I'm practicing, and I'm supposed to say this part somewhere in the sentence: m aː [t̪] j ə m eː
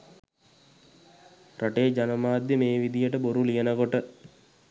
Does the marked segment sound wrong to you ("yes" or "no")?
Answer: yes